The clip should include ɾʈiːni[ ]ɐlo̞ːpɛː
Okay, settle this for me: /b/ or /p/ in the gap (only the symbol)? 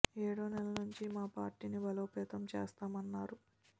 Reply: b